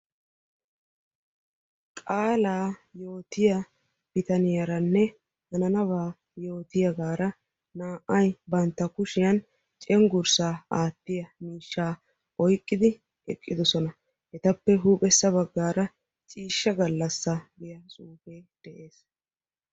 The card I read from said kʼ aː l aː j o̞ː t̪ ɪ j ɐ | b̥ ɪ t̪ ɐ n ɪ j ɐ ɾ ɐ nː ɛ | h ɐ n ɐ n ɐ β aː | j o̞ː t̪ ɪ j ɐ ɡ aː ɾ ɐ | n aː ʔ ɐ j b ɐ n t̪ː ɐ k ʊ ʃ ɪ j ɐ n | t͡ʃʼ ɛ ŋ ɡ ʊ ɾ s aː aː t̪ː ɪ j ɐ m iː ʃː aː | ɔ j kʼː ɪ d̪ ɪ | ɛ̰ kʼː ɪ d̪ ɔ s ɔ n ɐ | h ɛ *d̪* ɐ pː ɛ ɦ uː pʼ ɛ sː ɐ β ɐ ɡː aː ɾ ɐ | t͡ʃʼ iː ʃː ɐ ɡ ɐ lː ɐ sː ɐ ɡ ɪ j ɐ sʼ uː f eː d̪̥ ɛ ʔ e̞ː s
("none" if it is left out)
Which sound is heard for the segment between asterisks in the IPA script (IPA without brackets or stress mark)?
t̪